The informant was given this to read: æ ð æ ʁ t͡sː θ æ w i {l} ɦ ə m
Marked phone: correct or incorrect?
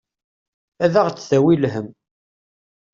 correct